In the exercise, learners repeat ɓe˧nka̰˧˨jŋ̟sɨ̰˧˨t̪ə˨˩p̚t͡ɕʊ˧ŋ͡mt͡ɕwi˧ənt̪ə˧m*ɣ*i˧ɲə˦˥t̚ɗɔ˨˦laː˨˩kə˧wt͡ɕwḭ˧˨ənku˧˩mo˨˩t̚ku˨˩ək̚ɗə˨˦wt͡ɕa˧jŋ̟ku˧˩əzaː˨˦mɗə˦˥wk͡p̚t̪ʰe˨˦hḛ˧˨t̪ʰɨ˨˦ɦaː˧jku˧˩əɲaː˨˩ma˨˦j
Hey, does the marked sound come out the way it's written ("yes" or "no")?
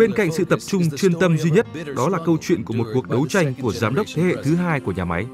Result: no